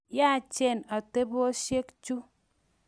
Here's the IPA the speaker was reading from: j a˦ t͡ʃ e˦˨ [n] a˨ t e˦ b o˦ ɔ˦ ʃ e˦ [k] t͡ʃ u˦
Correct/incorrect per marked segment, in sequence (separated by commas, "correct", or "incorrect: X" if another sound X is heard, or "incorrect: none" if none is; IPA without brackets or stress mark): correct, correct